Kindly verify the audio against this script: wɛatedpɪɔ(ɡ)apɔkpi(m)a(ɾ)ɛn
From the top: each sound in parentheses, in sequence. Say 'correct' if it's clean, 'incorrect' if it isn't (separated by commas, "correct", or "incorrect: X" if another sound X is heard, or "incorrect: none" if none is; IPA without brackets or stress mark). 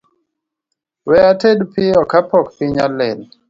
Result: incorrect: k, incorrect: ɲ, incorrect: l